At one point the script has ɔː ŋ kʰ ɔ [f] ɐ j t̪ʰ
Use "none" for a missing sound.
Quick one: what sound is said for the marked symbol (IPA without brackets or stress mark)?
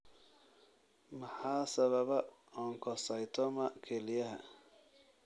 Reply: s